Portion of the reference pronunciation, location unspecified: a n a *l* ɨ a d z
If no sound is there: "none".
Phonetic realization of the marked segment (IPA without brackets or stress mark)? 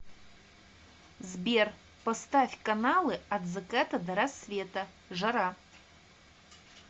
l